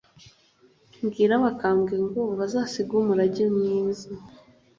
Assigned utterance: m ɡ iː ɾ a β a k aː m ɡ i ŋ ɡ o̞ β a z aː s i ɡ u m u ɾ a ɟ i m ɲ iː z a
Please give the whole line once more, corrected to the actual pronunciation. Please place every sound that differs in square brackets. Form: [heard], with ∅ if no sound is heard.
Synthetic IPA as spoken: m ɡ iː ɾ a β a k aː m ɡ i ŋ ɡ o̞ β a z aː s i ɡ u m u ɾ a ɟ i m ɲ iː z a